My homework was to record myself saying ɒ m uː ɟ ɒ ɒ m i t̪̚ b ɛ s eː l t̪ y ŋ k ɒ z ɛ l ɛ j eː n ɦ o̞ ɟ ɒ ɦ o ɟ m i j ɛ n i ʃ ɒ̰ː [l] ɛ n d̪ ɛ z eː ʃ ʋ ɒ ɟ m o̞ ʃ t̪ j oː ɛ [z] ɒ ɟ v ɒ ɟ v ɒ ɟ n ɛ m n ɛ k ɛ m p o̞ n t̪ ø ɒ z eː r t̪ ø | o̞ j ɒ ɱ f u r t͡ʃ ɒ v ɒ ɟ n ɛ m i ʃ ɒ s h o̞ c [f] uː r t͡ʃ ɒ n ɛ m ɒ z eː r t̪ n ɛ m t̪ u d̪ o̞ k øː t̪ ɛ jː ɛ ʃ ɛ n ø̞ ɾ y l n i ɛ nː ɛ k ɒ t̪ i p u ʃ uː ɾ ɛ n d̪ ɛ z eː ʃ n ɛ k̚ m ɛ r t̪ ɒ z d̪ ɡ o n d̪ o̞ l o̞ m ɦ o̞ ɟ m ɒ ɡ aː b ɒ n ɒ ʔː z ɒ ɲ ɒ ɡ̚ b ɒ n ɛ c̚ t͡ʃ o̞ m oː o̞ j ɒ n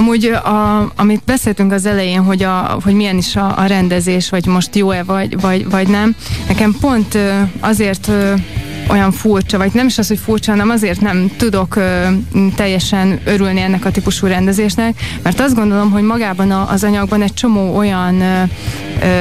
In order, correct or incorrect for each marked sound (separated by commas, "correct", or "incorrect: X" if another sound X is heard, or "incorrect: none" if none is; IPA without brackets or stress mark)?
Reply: incorrect: ɾ, incorrect: v, correct